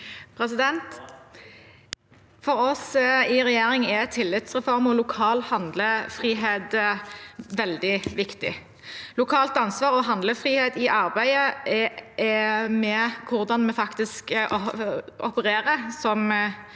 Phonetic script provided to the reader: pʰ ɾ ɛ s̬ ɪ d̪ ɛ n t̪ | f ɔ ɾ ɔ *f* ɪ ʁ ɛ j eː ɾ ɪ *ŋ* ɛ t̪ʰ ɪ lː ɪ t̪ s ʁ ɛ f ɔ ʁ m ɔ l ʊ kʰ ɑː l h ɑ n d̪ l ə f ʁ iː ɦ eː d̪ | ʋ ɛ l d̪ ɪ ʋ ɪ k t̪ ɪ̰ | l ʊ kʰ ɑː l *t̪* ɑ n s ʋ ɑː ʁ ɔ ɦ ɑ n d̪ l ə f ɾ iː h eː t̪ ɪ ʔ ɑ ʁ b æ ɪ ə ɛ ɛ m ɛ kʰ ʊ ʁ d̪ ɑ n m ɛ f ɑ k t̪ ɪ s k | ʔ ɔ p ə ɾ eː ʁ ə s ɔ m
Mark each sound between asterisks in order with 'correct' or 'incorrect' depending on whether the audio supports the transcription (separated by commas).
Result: incorrect, correct, correct